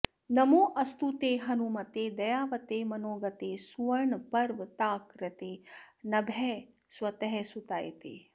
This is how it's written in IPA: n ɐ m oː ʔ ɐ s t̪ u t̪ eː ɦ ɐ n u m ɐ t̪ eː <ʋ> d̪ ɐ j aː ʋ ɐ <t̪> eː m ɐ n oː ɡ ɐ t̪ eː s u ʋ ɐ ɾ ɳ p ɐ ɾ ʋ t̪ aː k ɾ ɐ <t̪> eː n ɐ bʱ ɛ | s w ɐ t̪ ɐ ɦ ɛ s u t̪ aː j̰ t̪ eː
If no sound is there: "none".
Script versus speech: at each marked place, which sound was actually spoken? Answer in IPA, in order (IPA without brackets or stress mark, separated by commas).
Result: none, t̪, t̪